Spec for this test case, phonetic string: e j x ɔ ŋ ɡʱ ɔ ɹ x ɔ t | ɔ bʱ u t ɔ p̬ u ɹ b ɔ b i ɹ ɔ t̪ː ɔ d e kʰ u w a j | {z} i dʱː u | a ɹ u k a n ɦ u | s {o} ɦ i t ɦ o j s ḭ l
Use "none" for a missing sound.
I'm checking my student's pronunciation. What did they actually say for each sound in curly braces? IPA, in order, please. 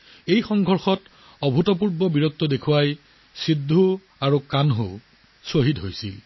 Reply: s, o

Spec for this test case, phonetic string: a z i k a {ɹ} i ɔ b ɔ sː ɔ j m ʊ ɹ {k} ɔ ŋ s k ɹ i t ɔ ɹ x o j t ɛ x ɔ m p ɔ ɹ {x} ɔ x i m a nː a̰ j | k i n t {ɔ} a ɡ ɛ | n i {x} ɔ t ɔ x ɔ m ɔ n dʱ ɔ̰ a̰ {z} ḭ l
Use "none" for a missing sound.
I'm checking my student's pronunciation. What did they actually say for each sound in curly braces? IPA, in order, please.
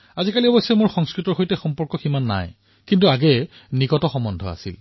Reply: l, x, k, u, k, s

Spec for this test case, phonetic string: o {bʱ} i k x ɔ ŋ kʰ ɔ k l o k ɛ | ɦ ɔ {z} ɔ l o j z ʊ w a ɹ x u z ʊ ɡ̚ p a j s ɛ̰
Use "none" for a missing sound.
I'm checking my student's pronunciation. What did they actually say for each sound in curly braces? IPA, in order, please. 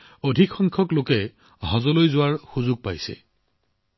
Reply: dʱ, z

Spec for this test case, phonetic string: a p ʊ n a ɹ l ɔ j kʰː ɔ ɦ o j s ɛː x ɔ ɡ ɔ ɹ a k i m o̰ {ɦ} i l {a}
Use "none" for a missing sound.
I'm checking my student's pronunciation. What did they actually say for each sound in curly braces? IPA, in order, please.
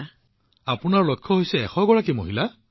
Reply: ɦ, a

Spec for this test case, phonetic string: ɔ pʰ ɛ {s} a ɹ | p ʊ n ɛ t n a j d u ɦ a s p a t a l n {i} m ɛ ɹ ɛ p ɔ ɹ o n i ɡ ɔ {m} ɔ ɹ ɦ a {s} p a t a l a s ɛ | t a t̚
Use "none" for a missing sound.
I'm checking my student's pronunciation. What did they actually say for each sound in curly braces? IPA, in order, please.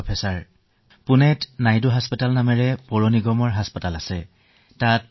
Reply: s, a, m, s

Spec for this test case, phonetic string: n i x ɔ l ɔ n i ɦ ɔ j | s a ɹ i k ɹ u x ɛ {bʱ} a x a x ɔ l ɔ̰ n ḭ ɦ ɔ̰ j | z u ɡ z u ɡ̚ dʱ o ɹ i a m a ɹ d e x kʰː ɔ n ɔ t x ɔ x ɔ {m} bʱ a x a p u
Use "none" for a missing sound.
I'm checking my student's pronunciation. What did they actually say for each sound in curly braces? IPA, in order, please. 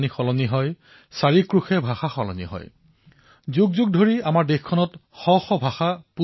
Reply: bʱ, none

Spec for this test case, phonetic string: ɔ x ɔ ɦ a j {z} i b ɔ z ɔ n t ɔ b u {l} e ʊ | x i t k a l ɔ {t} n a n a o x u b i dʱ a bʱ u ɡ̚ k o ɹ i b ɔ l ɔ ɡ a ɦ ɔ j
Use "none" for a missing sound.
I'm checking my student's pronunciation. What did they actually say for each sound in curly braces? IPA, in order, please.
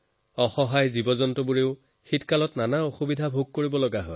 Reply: z, ɹ, t

